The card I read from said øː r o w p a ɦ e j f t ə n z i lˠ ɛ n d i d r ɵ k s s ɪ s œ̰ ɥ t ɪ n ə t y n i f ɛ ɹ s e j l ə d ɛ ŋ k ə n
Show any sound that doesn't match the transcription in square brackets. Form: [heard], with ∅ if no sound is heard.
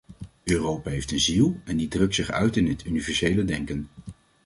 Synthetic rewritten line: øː r o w p a ɦ e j f t ə n z i lˠ ɛ n d i d r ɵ k [t] s ɪ [χ] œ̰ ɥ t ɪ n ə t y n i [v] ɛ ɹ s e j l ə d ɛ ŋ k ə n